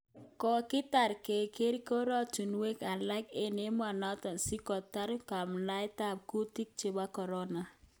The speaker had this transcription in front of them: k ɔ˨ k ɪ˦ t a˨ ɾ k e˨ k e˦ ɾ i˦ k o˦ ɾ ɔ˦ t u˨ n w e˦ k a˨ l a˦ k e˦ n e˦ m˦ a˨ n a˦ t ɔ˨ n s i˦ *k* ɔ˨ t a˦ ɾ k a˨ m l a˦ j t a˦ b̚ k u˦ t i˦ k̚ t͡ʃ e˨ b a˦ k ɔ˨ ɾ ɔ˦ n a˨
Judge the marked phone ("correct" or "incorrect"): correct